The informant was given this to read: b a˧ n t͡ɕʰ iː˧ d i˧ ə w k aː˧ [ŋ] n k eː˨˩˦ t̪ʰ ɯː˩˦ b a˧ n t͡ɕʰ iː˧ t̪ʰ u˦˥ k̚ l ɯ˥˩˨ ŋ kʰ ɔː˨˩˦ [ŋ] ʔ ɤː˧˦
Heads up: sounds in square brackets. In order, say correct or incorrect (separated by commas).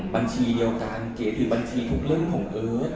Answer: incorrect, correct